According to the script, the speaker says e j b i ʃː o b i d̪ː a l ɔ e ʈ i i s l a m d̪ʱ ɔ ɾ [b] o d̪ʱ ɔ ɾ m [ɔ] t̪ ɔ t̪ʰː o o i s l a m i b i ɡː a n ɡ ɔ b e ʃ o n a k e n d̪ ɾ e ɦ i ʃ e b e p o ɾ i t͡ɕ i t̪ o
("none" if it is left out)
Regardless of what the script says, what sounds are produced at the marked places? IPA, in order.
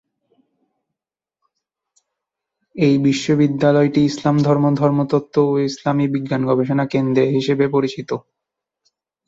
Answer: m, o

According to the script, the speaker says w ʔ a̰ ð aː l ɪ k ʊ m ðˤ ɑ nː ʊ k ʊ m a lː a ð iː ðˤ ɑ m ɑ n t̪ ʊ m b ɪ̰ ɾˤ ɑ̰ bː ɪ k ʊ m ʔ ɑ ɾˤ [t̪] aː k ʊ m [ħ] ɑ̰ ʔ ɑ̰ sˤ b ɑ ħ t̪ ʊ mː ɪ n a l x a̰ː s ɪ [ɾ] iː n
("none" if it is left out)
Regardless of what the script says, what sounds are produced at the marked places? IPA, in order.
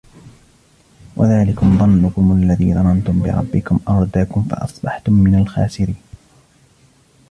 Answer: d̪, f, ɾ

